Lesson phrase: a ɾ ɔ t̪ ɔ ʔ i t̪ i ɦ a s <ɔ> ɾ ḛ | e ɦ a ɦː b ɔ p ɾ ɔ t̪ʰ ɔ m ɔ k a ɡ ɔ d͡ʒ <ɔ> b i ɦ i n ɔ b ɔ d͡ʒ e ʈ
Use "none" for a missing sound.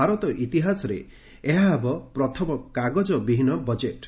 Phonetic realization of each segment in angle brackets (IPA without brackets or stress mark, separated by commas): ɔ, ɔ